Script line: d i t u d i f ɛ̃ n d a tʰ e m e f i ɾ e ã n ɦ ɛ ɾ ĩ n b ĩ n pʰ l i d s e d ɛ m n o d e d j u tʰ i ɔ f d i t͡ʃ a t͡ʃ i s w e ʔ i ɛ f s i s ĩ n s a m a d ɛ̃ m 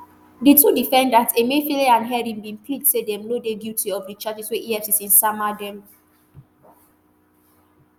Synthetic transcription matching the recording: d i t u d i f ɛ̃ n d a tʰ e m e f i l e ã n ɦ ɛ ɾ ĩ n b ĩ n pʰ l i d s e d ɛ m n o d e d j u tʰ i ɔ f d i t͡ʃ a t͡ʃ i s w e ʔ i ɛ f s i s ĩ n s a m a d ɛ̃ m